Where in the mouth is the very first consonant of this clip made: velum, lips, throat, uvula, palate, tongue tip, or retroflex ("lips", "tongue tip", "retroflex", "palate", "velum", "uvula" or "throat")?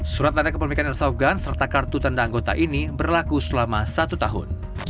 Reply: tongue tip